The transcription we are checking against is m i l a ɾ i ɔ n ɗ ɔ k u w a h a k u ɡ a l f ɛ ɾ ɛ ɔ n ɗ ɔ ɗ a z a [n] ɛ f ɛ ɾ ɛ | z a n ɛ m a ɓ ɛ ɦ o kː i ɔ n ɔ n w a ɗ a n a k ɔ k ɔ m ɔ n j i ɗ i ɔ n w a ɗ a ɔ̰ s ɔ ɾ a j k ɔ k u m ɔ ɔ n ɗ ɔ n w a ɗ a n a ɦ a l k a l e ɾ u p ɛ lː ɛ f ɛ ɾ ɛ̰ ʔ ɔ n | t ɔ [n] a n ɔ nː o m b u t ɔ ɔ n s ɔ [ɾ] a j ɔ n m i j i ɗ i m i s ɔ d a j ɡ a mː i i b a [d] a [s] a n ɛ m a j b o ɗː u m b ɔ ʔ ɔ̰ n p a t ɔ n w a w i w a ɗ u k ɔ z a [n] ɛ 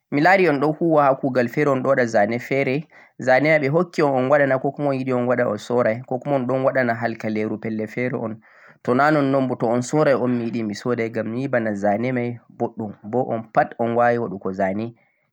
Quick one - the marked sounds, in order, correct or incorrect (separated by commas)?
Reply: correct, correct, correct, incorrect, incorrect, correct